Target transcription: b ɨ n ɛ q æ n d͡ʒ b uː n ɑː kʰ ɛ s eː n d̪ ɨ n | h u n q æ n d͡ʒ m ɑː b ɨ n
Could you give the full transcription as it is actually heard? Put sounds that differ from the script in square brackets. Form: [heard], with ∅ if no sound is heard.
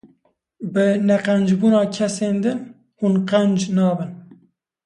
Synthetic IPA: b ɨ n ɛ q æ n d͡ʒ b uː n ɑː kʰ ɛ s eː n d̪ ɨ n | h u n q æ n d͡ʒ [n] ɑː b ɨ n

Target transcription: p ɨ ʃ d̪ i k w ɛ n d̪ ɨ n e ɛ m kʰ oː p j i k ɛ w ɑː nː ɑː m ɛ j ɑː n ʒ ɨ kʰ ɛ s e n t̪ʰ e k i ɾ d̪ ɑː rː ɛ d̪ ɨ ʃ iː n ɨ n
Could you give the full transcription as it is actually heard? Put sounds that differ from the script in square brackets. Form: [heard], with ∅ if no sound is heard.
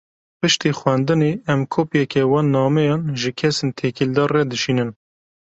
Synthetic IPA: p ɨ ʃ [t̪] i [x] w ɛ n d̪ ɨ n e ɛ m kʰ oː p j [ɛ] k ɛ w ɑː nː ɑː m ɛ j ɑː n ʒ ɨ kʰ ɛ s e n t̪ʰ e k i [l] d̪ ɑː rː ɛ d̪ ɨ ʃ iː n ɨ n

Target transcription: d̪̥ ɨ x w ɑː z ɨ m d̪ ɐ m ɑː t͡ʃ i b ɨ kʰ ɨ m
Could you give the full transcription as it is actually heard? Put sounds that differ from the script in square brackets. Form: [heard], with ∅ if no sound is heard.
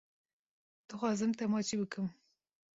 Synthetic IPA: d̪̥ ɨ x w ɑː z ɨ m [t̪] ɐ m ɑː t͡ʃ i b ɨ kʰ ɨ m

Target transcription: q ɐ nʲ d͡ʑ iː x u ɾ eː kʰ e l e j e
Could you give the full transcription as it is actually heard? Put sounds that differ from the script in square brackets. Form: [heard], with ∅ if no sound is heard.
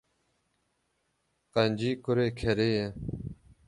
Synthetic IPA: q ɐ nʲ d͡ʑ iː [k] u ɾ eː kʰ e [ɾ] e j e

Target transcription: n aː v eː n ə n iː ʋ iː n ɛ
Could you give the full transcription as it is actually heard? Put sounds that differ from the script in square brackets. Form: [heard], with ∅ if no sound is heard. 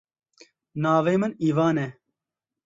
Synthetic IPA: n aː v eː [m] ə n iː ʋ [aː] n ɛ

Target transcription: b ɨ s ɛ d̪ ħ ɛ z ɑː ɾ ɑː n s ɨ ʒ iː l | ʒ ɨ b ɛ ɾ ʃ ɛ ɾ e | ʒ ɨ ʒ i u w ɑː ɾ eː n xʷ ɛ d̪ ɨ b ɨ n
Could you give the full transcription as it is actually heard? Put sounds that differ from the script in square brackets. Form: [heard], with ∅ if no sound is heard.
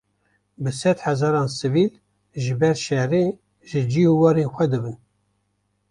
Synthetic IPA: b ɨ s ɛ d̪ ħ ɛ z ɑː ɾ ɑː n s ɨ [v] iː l | ʒ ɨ b ɛ ɾ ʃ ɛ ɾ e | ʒ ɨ [d͡ʒ] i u w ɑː ɾ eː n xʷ ɛ d̪ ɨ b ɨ n

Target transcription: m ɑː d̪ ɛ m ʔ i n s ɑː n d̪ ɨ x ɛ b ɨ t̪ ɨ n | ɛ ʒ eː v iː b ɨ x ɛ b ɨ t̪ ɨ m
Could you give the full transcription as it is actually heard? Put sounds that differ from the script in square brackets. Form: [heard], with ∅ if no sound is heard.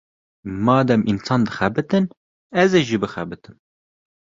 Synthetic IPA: m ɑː d̪ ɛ m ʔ i n s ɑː n d̪ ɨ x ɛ b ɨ t̪ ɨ n | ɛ [z] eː [ʒ] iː b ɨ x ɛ b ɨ t̪ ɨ m

